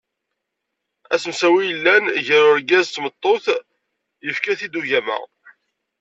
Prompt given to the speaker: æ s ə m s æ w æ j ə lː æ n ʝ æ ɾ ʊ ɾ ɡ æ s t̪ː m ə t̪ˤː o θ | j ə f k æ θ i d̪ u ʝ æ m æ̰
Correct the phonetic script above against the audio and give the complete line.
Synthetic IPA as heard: æ s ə m s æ w i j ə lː æ n ʝ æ ɾ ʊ ɾ ɡ æ z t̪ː m ə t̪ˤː o θ | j ə f k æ θ i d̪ u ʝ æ m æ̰